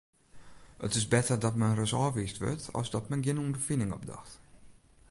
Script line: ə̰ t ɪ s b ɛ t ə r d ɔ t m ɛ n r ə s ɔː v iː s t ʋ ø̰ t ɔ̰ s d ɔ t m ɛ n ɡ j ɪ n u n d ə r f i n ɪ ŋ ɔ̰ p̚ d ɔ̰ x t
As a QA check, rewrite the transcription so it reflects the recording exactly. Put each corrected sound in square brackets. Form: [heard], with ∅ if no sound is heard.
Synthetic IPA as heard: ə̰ t ɪ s b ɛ t ə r d ɔ t m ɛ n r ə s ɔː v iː s t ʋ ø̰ t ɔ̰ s d ɔ t m ɛ n ɡ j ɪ n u n d ə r f i n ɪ ŋ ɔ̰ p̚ d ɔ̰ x t